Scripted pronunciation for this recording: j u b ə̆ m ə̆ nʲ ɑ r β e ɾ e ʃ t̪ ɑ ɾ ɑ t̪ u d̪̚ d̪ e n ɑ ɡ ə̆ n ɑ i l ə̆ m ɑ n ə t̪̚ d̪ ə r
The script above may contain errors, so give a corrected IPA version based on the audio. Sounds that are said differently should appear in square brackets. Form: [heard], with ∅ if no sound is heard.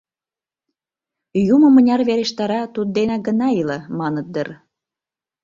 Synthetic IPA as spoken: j u [m] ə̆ m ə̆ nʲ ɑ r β e ɾ e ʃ t̪ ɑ ɾ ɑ t̪ u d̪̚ d̪ e n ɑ ɡ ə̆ n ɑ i l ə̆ m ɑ n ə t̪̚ d̪ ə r